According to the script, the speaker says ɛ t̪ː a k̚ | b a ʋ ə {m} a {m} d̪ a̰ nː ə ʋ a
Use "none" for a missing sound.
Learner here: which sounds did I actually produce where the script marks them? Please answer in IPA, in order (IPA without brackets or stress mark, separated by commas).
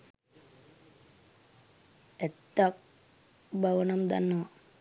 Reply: n, m